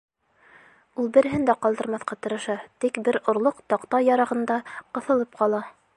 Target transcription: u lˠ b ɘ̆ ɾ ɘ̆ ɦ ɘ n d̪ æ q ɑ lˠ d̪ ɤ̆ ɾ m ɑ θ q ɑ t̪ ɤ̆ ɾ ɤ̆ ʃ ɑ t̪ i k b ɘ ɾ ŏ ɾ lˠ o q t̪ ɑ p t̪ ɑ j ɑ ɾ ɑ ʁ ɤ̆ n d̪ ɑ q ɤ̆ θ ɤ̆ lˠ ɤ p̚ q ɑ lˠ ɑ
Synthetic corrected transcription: u lˠ b ɘ̆ ɾ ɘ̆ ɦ ɘ n d̪ æ q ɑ lˠ d̪ ɤ̆ ɾ m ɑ θ q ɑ t̪ ɤ̆ ɾ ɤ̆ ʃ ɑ t̪ i k b ɘ ɾ ŏ ɾ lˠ o q t̪ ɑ q t̪ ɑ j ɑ ɾ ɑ ʁ ɤ̆ n d̪ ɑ q ɤ̆ θ ɤ̆ lˠ ɤ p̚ q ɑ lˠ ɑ